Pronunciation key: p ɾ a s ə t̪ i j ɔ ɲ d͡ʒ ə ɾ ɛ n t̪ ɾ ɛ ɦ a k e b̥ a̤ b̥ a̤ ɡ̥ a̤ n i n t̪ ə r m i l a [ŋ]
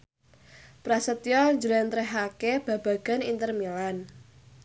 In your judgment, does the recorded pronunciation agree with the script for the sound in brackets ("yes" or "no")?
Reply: no